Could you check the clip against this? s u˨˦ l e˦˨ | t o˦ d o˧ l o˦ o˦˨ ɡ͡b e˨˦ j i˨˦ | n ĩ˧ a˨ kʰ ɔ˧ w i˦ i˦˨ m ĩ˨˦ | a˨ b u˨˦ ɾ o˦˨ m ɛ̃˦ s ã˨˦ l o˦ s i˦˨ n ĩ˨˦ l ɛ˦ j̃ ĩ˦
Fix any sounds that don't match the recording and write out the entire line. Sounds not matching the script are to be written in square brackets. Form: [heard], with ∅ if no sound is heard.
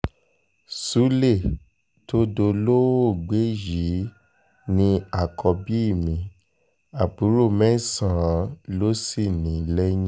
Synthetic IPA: s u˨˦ l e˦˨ | t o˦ d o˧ l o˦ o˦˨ ɡ͡b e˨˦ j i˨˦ | n ĩ˧ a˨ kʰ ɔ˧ [b] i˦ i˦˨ m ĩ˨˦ | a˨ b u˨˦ ɾ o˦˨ m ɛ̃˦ s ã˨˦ l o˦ s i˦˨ n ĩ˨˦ l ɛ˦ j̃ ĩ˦